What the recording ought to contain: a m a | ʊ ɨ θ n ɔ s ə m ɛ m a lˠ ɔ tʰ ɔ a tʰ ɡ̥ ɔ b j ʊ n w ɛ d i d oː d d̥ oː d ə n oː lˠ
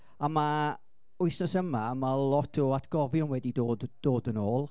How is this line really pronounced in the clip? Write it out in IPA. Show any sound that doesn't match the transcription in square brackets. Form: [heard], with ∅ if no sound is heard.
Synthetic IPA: a m a | ʊ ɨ [s] n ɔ s ə m [a] m a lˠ ɔ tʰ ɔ a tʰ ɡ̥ ɔ [v] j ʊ n w ɛ d i d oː d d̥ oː d ə n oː lˠ